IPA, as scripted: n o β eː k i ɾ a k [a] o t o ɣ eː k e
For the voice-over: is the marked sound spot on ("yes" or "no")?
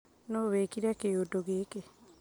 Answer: no